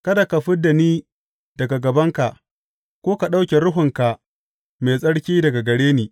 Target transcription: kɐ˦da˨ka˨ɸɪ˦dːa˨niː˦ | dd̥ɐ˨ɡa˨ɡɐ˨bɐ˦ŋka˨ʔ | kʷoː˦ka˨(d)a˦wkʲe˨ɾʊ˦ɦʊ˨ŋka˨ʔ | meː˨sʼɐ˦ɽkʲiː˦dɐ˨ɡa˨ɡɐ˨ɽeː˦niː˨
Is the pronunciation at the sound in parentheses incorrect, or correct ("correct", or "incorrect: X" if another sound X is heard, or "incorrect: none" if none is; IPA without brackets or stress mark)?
incorrect: ɗ